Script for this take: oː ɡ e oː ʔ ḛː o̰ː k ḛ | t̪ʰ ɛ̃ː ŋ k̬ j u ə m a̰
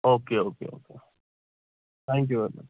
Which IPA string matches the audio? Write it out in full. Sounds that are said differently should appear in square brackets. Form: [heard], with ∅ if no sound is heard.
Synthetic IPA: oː [k] e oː [k] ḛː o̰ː k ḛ | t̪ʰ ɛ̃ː ŋ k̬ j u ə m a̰